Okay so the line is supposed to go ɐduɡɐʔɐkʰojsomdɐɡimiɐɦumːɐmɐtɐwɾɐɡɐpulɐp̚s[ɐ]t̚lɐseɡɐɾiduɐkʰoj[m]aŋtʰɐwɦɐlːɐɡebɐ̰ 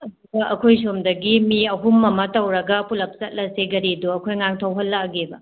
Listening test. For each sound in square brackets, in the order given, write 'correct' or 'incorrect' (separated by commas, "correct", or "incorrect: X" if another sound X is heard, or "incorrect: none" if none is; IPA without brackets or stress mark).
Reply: correct, incorrect: ŋ